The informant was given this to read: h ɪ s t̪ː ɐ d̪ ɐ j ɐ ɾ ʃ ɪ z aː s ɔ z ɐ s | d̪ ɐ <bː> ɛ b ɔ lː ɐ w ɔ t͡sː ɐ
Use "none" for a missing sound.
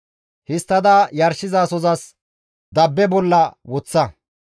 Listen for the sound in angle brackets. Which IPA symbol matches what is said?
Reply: bː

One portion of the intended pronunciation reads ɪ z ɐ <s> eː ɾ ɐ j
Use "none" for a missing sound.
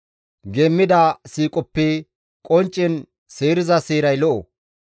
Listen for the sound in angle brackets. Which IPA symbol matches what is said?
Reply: s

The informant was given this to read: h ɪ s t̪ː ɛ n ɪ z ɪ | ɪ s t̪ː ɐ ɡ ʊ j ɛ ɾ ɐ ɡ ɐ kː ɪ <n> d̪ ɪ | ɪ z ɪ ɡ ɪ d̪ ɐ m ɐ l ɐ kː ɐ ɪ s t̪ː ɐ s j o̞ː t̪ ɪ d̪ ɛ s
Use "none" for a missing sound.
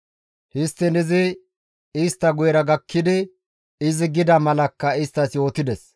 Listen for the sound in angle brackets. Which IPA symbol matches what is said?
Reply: none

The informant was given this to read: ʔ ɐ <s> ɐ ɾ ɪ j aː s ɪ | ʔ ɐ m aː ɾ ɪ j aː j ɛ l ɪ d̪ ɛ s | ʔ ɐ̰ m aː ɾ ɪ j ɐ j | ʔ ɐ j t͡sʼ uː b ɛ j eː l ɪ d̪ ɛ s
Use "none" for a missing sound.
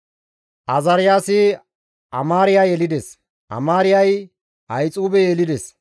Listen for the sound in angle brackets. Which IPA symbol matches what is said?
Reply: z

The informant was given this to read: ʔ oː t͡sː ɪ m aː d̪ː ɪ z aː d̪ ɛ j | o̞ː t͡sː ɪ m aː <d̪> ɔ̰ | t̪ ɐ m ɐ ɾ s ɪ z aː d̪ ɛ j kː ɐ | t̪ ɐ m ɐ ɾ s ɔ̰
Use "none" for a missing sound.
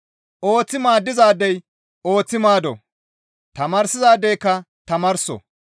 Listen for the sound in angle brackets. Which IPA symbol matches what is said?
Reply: d̪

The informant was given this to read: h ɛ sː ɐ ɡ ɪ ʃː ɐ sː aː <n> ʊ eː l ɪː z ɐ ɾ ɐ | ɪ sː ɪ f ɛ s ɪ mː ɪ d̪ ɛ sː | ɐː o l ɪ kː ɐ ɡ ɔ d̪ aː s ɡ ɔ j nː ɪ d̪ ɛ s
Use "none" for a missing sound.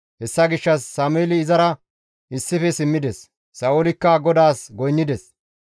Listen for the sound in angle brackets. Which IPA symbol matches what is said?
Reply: m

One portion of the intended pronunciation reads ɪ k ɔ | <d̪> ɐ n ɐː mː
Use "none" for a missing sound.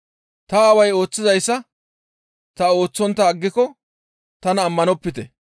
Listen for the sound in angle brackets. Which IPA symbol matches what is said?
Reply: t̪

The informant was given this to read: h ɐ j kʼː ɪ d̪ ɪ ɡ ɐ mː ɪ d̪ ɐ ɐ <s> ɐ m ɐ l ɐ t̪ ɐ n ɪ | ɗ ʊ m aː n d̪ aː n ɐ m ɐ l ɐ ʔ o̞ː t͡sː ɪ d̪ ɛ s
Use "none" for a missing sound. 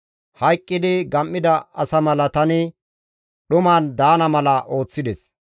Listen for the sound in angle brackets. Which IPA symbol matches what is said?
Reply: s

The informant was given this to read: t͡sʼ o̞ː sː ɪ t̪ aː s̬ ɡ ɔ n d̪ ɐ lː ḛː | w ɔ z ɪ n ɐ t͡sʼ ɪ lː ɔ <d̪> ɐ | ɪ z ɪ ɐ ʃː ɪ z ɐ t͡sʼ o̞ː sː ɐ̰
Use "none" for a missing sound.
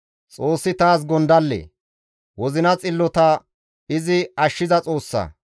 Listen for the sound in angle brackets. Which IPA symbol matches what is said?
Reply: t̪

